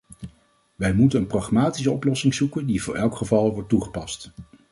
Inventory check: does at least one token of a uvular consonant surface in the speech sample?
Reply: yes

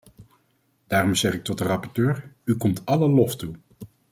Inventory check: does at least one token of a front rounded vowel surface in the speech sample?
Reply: yes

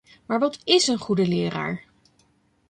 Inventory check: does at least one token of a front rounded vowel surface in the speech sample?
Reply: no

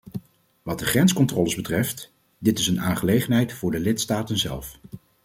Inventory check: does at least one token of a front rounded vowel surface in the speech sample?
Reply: no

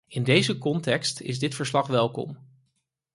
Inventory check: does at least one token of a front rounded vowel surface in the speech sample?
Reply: no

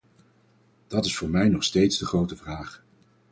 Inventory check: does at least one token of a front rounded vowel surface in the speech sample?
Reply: no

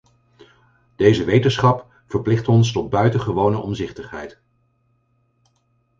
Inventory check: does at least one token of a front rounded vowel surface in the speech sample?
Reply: yes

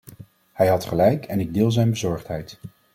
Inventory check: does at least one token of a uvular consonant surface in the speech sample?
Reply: yes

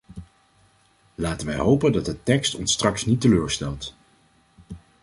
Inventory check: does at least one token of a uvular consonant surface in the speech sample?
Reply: no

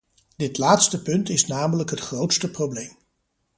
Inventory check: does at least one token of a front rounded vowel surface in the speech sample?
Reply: no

